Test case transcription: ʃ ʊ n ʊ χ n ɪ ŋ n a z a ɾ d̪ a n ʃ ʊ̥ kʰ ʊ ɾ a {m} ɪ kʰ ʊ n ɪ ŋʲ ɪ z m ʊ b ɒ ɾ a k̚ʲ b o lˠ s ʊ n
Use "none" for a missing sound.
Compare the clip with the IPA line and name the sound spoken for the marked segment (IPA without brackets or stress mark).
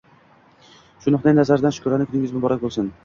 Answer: n